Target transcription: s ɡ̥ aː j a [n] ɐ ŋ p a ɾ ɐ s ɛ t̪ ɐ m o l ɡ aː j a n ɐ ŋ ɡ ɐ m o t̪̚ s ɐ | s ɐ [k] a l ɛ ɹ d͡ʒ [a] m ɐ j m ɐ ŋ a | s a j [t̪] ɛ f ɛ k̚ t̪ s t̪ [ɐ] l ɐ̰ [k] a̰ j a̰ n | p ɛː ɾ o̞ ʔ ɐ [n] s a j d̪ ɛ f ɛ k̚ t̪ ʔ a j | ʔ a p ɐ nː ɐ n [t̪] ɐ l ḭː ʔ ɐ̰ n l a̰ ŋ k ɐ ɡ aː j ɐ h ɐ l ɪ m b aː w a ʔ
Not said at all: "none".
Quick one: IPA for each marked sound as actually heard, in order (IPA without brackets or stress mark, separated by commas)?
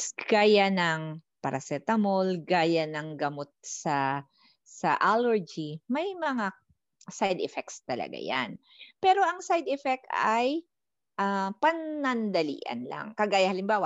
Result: n, ʔ, i, d̪, ɐ, ɡ, ŋ, d̪